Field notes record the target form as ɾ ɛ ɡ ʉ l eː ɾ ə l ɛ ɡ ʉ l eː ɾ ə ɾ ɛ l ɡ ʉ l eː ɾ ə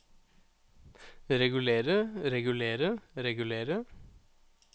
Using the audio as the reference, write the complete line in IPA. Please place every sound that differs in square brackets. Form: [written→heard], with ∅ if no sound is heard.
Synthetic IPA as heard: ɾ ɛ ɡ ʉ l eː ɾ ə [l→ɾ] ɛ ɡ ʉ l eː ɾ ə ɾ ɛ [l→∅] ɡ ʉ l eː ɾ ə